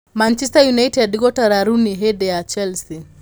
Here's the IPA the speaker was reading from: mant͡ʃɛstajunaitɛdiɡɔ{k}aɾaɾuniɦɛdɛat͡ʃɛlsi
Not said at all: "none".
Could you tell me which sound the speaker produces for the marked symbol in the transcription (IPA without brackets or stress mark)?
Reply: t